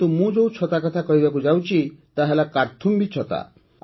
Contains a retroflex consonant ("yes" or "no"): no